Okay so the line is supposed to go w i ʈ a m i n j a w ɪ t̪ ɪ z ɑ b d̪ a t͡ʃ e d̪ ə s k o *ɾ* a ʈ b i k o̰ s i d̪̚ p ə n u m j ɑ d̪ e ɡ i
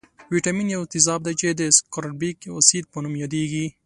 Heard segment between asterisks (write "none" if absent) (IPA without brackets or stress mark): ɾ